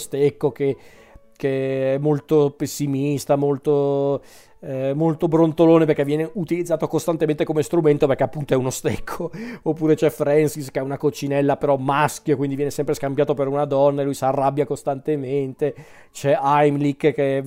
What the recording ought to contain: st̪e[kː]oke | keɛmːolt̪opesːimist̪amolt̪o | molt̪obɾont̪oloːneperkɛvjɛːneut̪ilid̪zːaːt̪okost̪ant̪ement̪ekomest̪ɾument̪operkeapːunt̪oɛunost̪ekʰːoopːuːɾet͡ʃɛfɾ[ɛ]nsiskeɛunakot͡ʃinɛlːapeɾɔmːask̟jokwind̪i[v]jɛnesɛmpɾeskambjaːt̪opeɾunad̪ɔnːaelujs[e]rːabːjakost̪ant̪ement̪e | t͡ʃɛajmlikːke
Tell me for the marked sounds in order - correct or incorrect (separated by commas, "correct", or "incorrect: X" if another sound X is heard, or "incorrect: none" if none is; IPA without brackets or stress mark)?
correct, correct, correct, incorrect: a